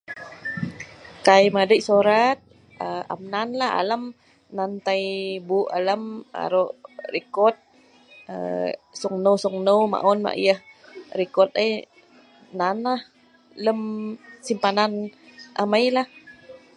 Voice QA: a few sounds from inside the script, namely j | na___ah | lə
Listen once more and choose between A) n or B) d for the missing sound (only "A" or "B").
A